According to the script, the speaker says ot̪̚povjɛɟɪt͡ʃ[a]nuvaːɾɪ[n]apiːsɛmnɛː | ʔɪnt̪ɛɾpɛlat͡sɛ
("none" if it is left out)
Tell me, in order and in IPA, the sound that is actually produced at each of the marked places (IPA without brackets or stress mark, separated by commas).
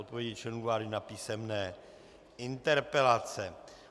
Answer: ɛ, n